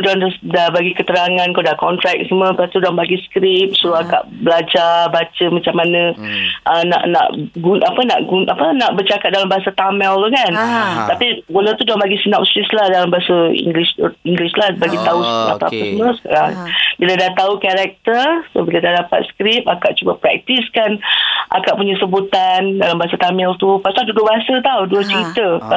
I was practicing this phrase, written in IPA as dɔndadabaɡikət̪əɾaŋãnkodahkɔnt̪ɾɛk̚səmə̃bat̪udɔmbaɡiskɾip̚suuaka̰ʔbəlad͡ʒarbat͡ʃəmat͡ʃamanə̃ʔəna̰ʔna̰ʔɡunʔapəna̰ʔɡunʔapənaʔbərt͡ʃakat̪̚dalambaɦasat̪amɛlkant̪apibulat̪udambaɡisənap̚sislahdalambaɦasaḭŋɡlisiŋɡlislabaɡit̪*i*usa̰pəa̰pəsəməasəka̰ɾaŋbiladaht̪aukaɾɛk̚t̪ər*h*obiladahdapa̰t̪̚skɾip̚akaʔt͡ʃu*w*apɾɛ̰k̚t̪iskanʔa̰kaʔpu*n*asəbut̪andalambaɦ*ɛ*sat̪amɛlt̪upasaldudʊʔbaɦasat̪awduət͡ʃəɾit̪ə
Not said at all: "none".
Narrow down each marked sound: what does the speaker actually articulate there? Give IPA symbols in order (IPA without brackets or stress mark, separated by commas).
a, s, b, ɲ, a